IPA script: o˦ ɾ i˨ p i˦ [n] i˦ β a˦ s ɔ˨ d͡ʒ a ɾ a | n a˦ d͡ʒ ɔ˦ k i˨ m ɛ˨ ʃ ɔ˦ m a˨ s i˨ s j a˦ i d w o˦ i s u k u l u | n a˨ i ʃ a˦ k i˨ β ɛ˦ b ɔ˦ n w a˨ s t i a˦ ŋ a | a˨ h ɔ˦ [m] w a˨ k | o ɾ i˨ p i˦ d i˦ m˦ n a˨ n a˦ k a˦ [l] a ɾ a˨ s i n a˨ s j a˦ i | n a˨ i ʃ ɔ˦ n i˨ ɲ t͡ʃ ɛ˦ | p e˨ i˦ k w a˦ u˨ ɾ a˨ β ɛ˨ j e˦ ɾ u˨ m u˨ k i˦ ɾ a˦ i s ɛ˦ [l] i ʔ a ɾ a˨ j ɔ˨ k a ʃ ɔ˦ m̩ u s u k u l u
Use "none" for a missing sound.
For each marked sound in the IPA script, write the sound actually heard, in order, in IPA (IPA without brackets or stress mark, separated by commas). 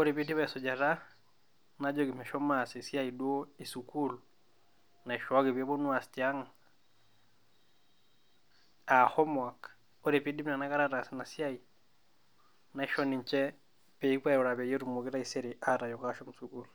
d, m, ɾ, ɾ